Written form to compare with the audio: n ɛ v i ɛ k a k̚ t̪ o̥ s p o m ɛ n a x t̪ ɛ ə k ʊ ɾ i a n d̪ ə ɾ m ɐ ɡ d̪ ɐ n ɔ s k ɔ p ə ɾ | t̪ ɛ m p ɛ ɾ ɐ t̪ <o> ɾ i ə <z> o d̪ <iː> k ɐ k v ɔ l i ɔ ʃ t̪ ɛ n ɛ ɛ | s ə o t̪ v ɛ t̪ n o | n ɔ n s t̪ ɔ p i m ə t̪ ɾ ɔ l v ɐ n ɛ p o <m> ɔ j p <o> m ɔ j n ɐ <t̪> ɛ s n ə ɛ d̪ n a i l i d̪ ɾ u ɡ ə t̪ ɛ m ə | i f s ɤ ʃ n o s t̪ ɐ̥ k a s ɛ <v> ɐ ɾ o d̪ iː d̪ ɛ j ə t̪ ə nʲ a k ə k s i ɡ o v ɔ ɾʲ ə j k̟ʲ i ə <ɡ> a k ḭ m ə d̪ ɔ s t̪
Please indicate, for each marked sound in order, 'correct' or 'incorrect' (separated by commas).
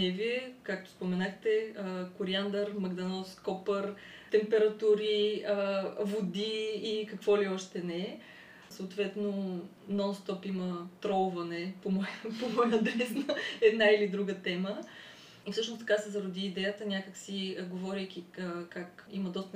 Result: incorrect, incorrect, correct, correct, correct, incorrect, incorrect, incorrect